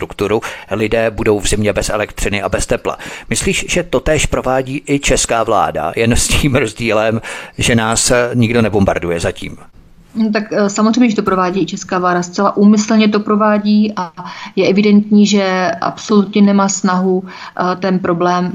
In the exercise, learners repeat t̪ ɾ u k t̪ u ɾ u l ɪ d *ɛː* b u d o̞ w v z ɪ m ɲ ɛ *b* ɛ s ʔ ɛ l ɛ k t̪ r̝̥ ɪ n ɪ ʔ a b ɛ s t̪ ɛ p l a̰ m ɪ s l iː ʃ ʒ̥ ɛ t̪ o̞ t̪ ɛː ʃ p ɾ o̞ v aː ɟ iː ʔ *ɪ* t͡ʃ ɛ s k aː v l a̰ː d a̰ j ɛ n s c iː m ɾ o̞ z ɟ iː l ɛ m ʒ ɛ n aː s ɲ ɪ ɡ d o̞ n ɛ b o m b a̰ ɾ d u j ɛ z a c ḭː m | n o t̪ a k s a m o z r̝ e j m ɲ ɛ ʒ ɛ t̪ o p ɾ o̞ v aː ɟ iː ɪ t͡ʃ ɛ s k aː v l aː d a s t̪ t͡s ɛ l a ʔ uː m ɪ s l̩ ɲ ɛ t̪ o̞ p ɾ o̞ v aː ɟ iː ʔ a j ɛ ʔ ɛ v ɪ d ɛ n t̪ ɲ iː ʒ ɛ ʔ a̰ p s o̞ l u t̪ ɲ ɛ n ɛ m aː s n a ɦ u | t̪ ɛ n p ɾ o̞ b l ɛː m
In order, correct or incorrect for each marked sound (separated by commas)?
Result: correct, correct, correct